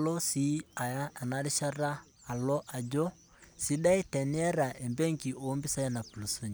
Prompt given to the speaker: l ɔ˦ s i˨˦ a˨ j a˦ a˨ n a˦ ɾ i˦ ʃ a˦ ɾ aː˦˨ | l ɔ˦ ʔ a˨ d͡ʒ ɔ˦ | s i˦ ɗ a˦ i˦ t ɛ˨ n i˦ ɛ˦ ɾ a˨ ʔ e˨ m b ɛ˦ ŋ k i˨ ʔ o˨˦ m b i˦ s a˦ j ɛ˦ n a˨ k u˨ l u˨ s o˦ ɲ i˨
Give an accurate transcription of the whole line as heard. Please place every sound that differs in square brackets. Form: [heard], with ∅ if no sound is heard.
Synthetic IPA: l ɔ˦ s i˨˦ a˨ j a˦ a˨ n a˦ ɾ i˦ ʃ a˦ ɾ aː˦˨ | l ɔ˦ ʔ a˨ d͡ʒ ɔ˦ | s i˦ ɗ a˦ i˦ t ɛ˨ n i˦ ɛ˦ ɾ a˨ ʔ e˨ m b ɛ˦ ŋ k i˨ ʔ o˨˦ m b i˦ s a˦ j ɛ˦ n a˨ [p] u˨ l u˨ s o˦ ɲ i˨